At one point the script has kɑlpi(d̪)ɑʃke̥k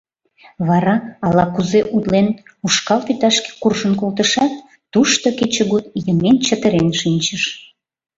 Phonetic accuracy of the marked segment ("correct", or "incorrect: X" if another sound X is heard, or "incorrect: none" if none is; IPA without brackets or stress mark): incorrect: t̪